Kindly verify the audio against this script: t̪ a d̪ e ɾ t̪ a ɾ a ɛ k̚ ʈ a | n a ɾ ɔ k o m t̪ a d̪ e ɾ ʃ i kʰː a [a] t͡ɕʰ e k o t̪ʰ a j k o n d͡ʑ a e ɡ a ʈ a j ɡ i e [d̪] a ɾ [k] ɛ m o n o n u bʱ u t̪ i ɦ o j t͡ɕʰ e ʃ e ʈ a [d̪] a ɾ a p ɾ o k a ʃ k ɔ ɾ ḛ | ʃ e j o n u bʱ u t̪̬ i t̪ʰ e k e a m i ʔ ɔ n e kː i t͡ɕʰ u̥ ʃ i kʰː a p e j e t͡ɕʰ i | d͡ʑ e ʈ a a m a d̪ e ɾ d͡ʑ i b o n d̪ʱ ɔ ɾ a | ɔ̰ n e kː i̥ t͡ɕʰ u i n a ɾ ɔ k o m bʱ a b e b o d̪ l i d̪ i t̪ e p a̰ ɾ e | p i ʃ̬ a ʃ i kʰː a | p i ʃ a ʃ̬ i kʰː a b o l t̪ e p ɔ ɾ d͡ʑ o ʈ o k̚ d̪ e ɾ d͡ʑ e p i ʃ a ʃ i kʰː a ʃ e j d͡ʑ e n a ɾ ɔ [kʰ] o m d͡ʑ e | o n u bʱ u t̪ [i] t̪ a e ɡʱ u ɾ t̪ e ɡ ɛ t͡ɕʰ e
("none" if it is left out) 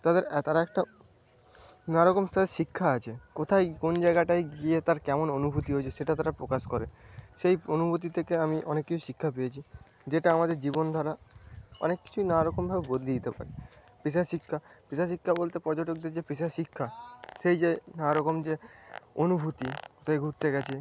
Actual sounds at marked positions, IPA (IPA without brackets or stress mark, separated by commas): a, t̪, k, t̪, k, i